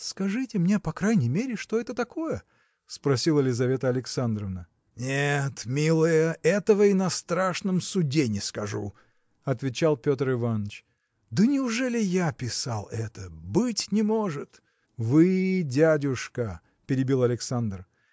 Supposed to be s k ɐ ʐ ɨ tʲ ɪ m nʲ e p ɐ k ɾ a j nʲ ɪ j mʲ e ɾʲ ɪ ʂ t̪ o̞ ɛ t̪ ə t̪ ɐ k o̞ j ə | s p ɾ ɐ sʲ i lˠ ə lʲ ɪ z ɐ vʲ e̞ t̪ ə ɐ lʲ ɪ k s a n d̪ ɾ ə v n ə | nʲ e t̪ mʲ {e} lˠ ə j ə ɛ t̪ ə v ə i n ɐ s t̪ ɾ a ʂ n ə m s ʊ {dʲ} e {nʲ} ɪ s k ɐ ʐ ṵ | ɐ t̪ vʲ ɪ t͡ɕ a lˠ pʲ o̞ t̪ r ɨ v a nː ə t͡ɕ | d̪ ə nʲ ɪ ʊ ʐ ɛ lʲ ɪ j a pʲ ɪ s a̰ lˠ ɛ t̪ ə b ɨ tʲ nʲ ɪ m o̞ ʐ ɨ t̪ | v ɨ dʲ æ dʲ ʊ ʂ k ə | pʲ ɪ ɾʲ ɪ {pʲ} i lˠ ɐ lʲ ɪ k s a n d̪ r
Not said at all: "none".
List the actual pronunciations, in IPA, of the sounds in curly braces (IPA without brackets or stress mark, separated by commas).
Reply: i, dʲ, nʲ, bʲ